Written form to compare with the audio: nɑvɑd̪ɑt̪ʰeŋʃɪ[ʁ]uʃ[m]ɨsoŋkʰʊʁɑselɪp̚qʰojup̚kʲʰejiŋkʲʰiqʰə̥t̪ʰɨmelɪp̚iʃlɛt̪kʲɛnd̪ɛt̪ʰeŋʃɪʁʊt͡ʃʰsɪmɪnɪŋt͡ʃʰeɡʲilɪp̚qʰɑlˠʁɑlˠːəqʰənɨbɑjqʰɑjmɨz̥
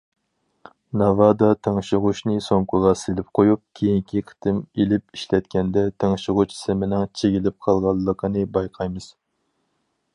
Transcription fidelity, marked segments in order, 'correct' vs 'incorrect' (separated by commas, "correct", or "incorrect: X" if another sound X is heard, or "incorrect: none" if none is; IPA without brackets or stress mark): correct, incorrect: n